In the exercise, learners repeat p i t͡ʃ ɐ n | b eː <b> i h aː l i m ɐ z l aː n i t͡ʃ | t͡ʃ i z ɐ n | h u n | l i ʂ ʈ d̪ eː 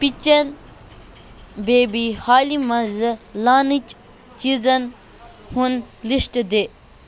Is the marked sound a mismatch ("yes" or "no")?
no